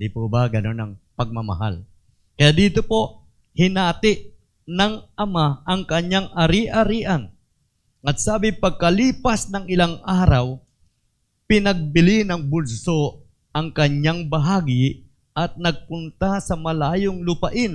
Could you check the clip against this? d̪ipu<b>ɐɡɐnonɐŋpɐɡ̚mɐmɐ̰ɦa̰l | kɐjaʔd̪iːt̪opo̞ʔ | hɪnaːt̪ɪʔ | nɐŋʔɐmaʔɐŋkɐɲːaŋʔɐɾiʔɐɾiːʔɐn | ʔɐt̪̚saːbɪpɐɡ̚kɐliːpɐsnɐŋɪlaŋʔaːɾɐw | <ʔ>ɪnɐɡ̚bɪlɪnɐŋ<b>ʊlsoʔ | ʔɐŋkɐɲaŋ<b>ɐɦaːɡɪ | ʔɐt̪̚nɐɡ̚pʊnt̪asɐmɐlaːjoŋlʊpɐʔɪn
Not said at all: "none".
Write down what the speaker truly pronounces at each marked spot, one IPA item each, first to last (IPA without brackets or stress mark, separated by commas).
b, p, b, b